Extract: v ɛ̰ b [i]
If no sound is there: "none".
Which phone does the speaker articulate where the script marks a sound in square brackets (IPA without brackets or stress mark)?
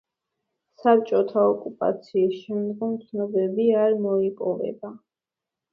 a